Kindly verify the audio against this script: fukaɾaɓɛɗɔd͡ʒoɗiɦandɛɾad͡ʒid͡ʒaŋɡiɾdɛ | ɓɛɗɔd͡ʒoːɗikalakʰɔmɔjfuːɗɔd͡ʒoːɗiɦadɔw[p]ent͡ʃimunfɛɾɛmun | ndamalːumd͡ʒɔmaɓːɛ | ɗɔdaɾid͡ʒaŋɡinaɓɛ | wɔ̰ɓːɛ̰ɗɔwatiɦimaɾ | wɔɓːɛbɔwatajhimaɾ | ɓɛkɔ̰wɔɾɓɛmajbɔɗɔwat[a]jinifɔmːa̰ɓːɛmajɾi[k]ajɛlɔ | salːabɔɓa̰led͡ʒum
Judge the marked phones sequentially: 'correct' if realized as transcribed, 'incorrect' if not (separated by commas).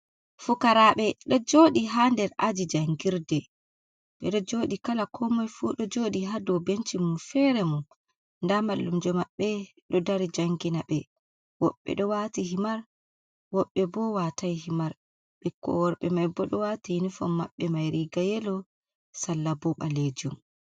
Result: incorrect, incorrect, incorrect